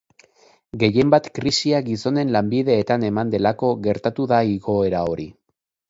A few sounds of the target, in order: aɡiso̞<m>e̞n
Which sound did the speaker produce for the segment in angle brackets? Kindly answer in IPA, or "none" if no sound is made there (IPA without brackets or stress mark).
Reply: n